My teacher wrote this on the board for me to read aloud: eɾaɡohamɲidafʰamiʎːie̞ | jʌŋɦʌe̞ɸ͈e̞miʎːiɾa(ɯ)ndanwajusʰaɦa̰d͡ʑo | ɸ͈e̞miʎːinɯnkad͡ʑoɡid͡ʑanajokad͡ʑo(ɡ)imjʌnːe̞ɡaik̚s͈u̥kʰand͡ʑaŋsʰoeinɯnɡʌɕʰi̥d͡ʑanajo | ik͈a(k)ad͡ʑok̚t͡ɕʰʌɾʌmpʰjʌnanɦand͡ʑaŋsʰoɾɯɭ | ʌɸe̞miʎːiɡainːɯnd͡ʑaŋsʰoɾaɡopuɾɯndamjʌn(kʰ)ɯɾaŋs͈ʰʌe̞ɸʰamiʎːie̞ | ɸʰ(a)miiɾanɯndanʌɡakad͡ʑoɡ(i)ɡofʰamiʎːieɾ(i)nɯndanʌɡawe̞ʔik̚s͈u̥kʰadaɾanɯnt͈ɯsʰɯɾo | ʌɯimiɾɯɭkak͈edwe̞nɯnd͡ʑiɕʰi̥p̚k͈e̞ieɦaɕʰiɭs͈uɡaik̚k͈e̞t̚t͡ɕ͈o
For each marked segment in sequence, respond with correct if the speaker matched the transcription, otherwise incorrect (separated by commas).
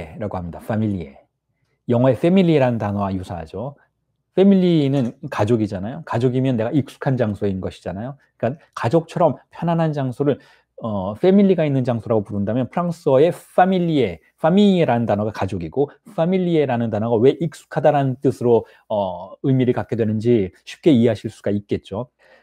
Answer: correct, correct, correct, incorrect, correct, correct, incorrect